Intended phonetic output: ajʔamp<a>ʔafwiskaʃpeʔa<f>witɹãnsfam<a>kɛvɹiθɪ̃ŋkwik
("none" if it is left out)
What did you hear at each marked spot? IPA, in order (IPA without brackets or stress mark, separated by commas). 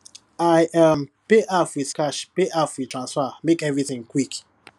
e, f, e